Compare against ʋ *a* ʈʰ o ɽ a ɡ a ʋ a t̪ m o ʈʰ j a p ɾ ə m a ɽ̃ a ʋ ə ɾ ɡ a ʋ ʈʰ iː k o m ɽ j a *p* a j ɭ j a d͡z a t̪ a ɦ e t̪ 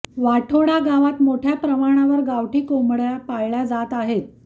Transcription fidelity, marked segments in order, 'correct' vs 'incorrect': correct, correct

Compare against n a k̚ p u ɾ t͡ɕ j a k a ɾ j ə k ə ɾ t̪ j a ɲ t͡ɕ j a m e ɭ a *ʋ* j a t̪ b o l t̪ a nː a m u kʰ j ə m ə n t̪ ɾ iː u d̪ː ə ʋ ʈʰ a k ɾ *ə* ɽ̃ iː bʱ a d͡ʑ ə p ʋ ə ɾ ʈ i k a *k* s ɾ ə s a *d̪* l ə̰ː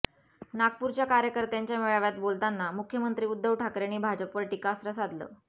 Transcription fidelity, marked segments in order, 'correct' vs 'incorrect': correct, incorrect: a, incorrect: none, correct

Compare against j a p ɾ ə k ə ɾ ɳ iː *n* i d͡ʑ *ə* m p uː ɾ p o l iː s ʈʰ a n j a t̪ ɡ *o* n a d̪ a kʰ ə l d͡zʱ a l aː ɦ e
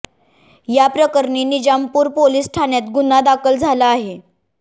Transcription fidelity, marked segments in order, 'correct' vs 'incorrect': correct, incorrect: a, incorrect: u

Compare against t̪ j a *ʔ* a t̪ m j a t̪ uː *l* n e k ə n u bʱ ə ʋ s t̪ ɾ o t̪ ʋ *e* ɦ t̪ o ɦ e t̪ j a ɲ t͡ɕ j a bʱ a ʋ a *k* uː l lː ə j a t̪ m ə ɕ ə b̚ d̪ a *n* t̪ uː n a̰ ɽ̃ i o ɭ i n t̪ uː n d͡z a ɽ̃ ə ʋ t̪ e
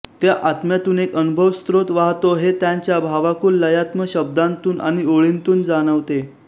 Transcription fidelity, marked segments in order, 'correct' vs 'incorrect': correct, incorrect: none, incorrect: a, correct, correct

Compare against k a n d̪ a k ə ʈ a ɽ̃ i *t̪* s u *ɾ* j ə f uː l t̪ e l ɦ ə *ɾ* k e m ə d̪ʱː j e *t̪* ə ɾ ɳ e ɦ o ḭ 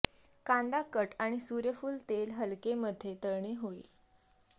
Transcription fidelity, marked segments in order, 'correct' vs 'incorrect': incorrect: none, correct, incorrect: l, correct

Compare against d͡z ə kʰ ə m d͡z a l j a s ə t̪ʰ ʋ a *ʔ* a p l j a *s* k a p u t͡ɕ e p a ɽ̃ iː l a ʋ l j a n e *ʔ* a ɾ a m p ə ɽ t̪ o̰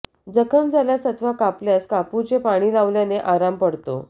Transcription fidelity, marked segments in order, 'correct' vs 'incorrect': incorrect: k, correct, correct

